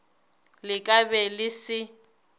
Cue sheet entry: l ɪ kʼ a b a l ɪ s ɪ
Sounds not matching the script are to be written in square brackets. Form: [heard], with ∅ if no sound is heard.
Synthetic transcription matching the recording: l ɪ kʼ a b [ɛ] l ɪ s ɪ